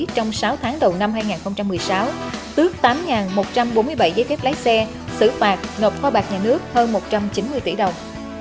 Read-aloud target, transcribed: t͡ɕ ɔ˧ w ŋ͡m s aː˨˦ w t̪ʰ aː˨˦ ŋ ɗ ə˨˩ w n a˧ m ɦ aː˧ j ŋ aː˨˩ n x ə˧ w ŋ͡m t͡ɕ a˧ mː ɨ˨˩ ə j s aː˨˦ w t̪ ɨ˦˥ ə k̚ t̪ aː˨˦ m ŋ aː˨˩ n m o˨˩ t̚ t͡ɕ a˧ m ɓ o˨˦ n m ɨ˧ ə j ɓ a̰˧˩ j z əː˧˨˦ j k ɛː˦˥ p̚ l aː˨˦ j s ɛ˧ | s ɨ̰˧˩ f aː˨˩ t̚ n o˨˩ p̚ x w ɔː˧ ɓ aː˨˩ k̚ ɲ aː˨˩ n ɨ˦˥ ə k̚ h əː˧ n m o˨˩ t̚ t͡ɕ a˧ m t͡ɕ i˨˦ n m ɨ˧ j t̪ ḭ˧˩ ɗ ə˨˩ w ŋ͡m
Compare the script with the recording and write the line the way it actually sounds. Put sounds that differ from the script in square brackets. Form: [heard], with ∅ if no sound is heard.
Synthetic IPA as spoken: t͡ɕ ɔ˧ w ŋ͡m s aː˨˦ w t̪ʰ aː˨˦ ŋ ɗ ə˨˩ w n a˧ m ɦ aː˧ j ŋ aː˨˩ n x ə˧ w ŋ͡m t͡ɕ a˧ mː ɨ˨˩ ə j s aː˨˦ w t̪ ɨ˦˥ ə k̚ t̪ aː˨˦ m ŋ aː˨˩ n m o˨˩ t̚ t͡ɕ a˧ m ɓ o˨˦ n m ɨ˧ ə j ɓ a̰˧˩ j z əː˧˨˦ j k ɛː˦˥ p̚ l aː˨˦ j s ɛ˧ | s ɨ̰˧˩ f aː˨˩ t̚ n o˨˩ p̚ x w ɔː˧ ɓ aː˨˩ k̚ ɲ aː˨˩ n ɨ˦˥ ə k̚ h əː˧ n m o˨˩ t̚ t͡ɕ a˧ m t͡ɕ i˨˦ n m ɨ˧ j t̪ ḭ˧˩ ɗ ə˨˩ w ŋ͡m